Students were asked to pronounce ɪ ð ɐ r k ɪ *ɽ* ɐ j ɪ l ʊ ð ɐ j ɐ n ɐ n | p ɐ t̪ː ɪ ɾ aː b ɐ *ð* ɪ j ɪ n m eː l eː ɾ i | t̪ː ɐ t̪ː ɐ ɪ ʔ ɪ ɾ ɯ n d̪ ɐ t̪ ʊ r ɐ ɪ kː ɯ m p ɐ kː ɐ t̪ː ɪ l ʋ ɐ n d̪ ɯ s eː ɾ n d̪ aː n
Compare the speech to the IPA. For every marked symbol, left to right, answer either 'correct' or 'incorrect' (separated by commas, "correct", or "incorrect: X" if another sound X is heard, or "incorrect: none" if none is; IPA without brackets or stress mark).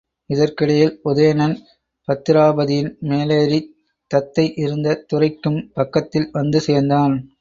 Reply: correct, correct